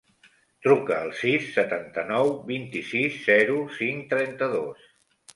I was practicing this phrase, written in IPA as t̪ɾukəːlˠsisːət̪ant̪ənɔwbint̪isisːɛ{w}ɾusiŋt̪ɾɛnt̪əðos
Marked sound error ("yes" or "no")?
yes